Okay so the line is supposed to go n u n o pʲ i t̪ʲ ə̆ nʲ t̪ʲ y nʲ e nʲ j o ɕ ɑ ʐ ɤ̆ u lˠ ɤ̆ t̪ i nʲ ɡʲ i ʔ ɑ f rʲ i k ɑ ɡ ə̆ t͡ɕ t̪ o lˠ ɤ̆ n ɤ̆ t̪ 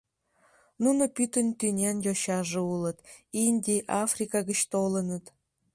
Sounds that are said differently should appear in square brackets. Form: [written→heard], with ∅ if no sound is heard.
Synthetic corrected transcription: n u n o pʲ [i→y] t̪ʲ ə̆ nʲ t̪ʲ y nʲ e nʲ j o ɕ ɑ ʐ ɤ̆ u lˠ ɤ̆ t̪ i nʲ [ɡʲ→dʲ] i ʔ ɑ f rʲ i k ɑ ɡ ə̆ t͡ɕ t̪ o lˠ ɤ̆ n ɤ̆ t̪

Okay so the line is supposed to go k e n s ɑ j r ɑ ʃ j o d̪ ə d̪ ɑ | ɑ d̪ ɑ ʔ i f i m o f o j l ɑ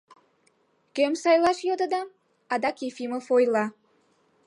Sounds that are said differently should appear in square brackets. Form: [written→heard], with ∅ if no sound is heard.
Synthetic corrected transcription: k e [n→m] s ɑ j [r→l] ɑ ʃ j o d̪ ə d̪ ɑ | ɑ d̪ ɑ [ʔ→k] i f i m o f o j l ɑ

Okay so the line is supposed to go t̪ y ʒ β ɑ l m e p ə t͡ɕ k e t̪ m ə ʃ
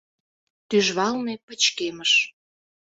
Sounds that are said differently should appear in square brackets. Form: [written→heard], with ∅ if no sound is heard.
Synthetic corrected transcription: t̪ y ʒ β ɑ l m e p ə t͡ɕ k e [t̪→∅] m ə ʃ

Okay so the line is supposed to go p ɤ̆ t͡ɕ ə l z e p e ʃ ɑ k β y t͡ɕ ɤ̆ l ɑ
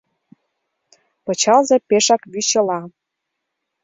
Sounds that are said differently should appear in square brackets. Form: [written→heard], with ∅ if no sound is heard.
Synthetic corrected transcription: p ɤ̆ t͡ɕ [ə→ɑ] l z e p e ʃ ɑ k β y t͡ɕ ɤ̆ l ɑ

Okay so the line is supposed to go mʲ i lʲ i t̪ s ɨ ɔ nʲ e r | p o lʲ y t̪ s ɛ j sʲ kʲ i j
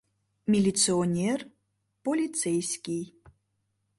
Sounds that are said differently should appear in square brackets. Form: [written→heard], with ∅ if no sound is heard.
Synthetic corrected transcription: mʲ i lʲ i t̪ s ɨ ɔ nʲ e r | p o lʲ [y→i] t̪ s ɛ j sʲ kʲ i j

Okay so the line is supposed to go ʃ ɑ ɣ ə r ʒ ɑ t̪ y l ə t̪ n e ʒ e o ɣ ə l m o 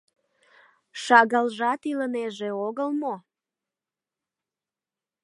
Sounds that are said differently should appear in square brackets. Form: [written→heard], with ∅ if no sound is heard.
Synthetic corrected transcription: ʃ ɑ ɣ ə [r→l] ʒ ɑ t̪ [y→i] l ə [t̪→∅] n e ʒ e o ɣ ə l m o

